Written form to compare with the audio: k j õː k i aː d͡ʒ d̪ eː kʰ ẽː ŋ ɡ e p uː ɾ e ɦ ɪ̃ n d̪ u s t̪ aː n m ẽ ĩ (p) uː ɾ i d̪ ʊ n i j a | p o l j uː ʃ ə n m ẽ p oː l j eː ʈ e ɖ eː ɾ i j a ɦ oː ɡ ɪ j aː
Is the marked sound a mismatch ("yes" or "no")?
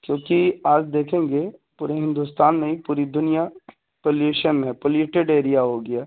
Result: no